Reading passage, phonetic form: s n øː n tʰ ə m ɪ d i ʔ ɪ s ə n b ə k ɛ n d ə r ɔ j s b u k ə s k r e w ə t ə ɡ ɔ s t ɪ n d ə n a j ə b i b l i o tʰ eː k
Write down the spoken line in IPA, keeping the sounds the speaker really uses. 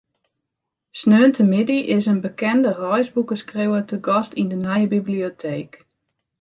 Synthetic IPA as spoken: s n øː n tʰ ə m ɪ d i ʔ ɪ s ə n b ə k ɛ n d ə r ɔ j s b u k ə s k r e w ə t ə ɡ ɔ s t i n d ə n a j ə b i b l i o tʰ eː k